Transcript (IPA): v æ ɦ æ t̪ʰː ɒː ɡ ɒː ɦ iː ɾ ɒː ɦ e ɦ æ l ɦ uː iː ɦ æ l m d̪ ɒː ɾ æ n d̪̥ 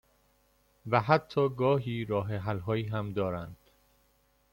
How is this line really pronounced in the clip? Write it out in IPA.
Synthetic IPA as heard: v æ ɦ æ t̪ʰː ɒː ɡ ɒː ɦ iː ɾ ɒː ɦ e ɦ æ l ɦ ɒː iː ɦ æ m d̪ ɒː ɾ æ n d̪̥